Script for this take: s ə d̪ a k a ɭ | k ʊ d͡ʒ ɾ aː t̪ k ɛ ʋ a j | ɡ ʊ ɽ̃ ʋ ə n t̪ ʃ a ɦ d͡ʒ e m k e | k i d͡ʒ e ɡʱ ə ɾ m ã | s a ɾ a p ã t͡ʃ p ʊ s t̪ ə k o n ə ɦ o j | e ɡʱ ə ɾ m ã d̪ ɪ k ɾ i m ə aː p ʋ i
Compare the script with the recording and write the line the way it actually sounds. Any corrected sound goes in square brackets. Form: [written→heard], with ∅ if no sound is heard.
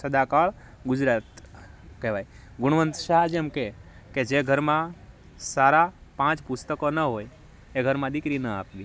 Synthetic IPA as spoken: s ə d̪ a k a ɭ | [k→ɡ] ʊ d͡ʒ ɾ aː t̪ k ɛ ʋ a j | ɡ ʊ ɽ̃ ʋ ə n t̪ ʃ a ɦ d͡ʒ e m k e | k [i→e] d͡ʒ e ɡʱ ə ɾ m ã | s a ɾ a p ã t͡ʃ p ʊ s t̪ ə k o n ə ɦ o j | e ɡʱ ə ɾ m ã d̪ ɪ k ɾ i [m→n] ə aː p ʋ i